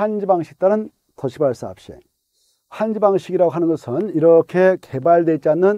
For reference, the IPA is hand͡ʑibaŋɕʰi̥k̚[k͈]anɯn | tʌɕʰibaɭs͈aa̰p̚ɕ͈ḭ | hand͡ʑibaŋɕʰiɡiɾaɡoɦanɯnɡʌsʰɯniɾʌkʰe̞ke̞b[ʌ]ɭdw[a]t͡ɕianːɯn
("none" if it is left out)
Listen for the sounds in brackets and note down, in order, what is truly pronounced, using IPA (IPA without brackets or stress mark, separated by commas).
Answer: t͈, a, e